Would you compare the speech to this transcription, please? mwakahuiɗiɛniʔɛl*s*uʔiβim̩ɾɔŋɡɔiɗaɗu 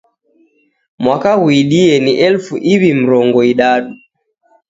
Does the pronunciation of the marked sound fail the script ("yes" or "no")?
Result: yes